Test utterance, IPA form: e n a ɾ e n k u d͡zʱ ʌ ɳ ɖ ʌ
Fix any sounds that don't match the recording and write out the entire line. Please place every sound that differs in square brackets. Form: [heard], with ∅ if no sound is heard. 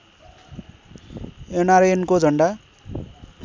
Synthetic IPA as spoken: e n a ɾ e n k [o] d͡zʱ ʌ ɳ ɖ [a]